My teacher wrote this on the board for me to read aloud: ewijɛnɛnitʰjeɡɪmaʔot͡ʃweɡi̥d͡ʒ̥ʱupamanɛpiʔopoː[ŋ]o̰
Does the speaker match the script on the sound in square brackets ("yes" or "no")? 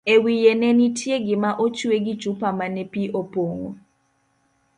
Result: yes